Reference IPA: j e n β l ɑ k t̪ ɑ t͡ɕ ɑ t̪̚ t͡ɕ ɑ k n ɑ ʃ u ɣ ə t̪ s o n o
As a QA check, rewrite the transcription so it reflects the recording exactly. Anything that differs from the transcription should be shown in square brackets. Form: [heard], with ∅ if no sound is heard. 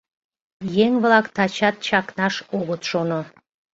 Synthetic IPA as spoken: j e [ŋ] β l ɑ k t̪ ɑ t͡ɕ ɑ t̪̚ t͡ɕ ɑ k n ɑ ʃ [o] ɣ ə t̪ [ʃ] o n o